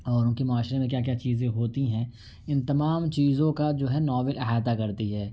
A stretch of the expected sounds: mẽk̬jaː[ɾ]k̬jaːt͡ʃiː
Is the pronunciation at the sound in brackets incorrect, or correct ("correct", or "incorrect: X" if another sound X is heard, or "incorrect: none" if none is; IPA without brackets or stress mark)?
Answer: incorrect: none